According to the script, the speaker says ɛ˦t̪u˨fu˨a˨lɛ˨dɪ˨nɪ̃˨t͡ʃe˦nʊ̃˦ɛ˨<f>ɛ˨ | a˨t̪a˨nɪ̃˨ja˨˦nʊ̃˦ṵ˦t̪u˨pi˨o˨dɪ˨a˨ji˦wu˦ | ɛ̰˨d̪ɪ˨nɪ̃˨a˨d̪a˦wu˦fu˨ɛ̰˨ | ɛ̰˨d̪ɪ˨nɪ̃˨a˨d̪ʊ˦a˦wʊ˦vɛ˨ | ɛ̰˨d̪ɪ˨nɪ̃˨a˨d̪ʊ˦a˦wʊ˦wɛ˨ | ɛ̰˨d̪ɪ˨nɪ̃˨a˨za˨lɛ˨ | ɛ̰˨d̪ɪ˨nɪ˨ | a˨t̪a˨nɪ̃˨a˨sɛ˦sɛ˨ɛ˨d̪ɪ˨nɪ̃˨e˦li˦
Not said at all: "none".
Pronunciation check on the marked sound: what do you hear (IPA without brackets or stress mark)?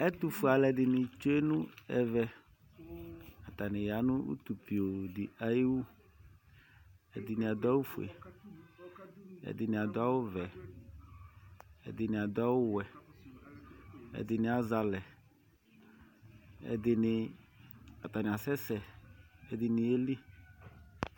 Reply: v